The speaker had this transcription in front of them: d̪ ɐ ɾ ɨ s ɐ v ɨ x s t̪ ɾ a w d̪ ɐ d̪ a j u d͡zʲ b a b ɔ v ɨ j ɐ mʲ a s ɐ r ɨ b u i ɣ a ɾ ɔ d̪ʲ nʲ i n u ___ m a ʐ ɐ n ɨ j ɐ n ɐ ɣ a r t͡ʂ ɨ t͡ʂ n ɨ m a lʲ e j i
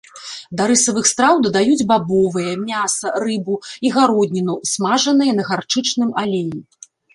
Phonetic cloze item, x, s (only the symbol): s